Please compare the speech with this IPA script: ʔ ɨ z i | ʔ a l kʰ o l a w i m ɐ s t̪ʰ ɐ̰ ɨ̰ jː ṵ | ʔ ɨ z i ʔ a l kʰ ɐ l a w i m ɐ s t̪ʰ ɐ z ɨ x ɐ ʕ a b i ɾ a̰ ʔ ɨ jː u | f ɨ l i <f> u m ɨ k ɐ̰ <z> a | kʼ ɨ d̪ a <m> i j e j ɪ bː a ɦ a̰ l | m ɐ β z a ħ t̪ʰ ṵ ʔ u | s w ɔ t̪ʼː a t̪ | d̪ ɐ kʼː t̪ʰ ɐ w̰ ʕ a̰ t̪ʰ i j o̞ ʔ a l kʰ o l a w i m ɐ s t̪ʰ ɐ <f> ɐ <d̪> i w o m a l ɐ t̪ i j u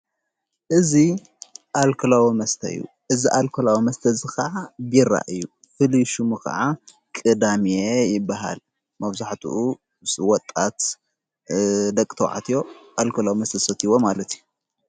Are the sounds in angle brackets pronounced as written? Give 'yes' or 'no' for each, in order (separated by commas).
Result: no, no, yes, no, no